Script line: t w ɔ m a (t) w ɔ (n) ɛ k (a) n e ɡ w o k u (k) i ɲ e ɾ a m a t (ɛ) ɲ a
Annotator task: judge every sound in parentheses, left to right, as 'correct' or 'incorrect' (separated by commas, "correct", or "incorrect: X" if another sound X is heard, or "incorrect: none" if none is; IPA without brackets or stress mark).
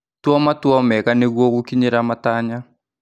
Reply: correct, incorrect: m, correct, correct, incorrect: a